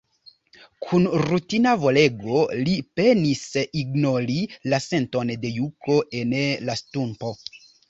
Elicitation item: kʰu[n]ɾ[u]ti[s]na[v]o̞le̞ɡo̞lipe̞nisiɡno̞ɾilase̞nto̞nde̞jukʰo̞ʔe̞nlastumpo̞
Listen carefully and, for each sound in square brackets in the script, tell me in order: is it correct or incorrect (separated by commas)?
correct, correct, incorrect, correct